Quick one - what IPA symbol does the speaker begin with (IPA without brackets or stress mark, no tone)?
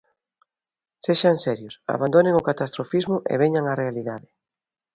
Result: s